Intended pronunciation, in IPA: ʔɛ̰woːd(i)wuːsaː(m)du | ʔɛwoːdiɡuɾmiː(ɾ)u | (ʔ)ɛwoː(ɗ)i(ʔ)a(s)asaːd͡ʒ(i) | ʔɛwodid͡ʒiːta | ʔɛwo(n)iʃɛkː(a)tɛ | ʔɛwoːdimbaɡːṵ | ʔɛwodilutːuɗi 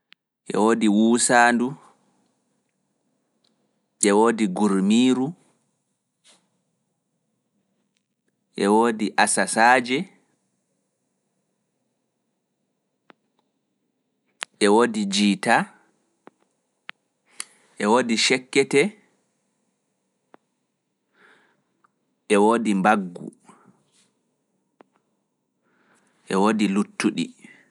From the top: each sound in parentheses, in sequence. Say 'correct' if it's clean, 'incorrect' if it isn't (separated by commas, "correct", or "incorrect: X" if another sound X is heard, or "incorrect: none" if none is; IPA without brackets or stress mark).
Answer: correct, incorrect: n, correct, correct, incorrect: d, correct, correct, incorrect: ɛ, incorrect: d, incorrect: ɛ